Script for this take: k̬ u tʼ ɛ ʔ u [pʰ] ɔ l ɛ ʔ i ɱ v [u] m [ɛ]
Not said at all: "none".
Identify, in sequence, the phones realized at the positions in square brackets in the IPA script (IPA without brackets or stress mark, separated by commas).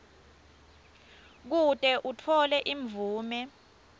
tʰ, uː, ɛ